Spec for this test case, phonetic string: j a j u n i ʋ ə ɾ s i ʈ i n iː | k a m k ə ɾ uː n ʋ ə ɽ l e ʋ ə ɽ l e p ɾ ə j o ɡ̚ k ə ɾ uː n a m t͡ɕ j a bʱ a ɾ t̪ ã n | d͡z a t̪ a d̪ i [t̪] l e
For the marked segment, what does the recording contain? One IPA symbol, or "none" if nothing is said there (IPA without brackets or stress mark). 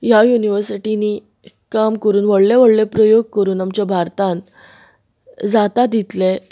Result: t̪